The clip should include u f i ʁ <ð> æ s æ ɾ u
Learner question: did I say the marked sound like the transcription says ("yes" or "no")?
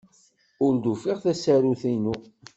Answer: no